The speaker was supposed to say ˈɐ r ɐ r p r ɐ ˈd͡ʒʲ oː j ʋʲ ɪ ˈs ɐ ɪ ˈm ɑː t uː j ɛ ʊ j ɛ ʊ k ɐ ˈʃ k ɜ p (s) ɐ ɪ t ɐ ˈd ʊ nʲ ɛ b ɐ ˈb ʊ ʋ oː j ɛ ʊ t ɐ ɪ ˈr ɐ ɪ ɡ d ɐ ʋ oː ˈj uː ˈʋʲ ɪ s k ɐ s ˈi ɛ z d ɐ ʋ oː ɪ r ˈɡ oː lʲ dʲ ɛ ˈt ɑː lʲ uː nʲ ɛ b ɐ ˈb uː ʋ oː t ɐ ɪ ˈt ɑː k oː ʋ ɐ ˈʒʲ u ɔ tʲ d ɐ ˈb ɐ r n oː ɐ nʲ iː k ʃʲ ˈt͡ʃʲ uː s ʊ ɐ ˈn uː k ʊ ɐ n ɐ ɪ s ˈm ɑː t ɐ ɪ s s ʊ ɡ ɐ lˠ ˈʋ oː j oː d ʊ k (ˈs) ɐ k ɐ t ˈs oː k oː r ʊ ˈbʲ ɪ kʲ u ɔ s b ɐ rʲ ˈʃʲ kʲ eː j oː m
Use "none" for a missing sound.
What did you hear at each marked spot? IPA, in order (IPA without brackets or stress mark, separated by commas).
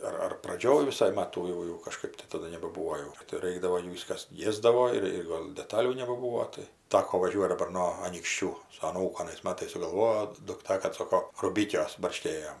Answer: t, t